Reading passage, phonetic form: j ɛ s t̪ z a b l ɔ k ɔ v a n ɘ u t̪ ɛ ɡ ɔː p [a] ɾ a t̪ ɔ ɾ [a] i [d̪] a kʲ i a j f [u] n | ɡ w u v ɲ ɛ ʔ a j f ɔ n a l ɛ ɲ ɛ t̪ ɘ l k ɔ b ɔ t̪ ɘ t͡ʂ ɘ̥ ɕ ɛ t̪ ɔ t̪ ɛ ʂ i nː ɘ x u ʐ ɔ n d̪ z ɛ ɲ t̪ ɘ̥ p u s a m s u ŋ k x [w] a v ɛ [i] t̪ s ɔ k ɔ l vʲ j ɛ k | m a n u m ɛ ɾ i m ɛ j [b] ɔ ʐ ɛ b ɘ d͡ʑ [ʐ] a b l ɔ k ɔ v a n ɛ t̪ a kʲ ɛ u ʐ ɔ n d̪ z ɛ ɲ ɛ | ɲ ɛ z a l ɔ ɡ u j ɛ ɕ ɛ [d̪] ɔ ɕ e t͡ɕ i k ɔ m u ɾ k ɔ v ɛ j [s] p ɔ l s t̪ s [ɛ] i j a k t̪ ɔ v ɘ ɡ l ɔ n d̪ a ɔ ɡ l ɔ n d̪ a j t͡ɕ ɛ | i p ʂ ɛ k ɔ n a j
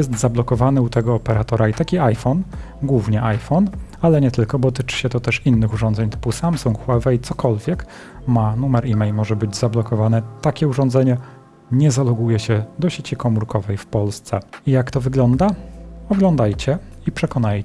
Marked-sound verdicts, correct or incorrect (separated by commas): incorrect, correct, incorrect, incorrect, correct, correct, incorrect, incorrect, correct, incorrect, correct